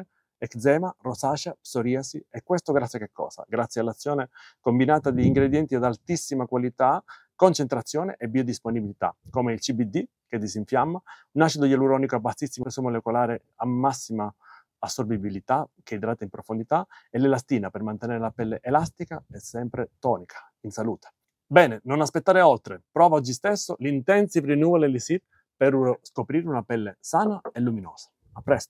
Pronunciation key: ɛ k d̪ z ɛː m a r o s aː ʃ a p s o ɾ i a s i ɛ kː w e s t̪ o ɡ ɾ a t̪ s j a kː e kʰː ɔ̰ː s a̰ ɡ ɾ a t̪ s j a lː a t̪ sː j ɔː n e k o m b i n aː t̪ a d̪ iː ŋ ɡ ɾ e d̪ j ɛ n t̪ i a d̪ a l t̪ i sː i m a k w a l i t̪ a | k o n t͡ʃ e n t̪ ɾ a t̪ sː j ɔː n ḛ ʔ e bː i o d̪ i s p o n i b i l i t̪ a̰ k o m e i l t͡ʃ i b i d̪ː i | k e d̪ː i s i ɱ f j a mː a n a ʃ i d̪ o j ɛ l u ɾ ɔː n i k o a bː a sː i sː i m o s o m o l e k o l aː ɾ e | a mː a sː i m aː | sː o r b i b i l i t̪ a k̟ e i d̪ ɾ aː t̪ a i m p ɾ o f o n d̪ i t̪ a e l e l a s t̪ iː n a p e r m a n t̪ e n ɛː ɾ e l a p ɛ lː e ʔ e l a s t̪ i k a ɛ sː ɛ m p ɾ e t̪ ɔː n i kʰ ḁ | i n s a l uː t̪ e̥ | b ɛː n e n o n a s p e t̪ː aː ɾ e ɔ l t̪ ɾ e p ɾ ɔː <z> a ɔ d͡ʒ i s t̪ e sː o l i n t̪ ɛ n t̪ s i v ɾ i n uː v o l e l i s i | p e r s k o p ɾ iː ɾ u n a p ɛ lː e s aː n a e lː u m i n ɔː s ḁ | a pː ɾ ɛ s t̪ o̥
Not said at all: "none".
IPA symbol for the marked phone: v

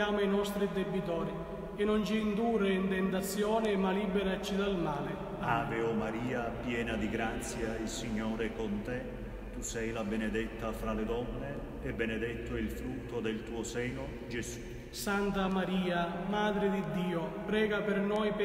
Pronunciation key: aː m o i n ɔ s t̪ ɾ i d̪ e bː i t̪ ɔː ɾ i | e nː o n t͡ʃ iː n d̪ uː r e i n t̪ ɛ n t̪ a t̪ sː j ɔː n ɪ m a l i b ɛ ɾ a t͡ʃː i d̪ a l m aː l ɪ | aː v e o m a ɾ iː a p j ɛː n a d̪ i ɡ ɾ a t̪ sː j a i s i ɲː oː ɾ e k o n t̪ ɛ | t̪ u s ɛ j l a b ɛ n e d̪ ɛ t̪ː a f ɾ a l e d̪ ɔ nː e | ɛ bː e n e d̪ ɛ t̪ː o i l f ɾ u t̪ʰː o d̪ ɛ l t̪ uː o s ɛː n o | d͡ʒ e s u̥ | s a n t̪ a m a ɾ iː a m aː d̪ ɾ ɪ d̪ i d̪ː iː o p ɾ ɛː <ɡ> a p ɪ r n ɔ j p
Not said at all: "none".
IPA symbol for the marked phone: ɡ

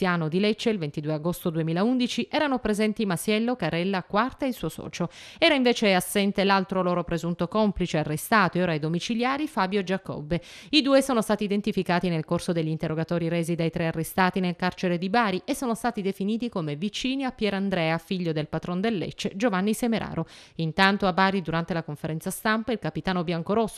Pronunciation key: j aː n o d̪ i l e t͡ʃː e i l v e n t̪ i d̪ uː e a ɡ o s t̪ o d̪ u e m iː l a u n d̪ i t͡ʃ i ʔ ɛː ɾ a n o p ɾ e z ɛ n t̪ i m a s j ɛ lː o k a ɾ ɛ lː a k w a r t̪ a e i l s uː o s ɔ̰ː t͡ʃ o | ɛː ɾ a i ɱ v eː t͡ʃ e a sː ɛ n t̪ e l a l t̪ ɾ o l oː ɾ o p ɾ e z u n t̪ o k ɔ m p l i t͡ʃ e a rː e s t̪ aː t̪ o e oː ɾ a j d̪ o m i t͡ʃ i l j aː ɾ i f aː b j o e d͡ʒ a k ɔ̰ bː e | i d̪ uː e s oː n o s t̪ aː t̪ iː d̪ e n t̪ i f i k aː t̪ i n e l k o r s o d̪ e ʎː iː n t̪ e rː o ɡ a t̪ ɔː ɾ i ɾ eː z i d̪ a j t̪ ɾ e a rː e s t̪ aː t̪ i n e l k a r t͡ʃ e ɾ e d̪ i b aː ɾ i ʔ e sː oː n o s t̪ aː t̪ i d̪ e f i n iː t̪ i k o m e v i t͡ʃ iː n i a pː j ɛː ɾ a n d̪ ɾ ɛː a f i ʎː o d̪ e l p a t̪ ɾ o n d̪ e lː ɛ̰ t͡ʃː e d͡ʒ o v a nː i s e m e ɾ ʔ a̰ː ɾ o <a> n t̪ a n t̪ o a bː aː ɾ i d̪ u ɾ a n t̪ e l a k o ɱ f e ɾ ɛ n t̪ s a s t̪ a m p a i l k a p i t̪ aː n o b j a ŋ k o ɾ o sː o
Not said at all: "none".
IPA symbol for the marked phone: i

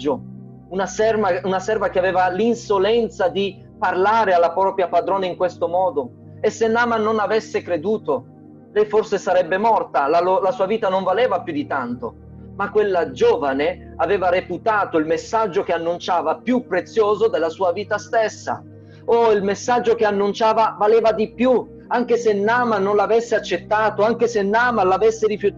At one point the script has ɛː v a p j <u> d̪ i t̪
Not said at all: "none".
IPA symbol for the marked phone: u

